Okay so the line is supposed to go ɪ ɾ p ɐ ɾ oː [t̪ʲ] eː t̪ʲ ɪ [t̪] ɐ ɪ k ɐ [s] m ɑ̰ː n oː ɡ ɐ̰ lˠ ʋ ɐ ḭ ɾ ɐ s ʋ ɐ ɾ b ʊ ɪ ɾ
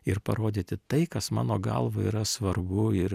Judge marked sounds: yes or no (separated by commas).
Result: no, yes, yes